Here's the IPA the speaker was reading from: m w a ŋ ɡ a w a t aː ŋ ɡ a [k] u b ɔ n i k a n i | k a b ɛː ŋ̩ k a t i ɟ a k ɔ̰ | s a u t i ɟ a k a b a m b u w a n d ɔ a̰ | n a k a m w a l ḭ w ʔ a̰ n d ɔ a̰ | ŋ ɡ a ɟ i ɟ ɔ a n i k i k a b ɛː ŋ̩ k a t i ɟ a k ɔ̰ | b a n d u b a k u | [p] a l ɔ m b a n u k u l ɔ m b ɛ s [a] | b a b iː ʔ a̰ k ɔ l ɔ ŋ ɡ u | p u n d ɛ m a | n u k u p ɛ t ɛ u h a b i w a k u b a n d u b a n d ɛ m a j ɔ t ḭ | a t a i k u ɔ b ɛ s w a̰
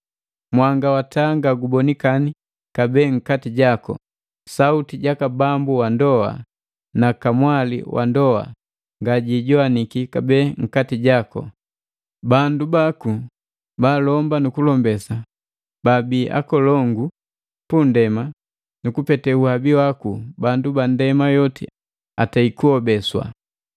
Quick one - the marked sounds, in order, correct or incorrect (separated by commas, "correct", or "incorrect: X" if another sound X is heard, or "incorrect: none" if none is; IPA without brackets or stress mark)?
incorrect: ɡ, incorrect: b, correct